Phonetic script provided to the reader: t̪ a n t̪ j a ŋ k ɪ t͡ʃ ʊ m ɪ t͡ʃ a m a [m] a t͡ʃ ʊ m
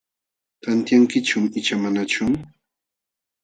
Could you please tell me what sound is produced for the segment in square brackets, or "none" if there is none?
n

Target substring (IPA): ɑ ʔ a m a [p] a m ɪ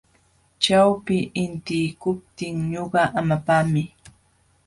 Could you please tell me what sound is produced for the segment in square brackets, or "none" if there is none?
p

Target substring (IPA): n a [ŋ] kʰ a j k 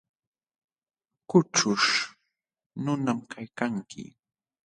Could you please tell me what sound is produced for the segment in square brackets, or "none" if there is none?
m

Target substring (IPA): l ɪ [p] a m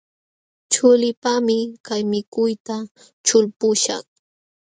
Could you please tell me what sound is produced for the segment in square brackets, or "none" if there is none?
p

